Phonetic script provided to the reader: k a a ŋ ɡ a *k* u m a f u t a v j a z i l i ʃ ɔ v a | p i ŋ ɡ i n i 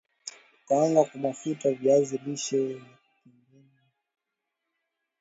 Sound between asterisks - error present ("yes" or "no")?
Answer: no